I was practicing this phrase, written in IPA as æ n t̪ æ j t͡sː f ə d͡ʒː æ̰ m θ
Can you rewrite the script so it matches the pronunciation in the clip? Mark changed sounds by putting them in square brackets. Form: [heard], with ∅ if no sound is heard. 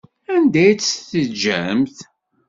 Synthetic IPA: æ n [d̪] æ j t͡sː [θ] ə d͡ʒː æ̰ m θ